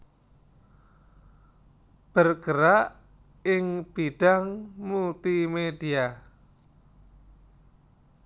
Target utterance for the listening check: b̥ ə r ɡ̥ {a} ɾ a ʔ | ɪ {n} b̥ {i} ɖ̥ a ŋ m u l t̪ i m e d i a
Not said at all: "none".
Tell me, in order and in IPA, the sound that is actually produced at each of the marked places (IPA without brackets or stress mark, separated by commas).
ə, ŋ, i